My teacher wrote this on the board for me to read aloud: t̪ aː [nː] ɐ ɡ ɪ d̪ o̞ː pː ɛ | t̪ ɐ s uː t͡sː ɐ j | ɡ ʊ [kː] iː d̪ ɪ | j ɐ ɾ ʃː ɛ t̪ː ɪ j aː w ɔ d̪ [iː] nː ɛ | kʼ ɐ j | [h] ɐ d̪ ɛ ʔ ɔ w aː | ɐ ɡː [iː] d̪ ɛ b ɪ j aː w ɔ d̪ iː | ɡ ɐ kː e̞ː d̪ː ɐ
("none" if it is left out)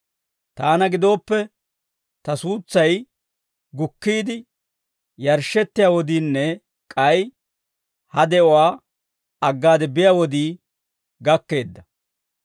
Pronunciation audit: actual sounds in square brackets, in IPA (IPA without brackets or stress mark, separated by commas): n, kː, iː, h, aː